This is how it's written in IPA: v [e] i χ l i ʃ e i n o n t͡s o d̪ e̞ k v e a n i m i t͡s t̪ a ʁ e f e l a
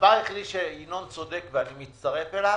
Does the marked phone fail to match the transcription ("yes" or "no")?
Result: yes